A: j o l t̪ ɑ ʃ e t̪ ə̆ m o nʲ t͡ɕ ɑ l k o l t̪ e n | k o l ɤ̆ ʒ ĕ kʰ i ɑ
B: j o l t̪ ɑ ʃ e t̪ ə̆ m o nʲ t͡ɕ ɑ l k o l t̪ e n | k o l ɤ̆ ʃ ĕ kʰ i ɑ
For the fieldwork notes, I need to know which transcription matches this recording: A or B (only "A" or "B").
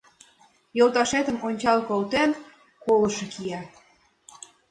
B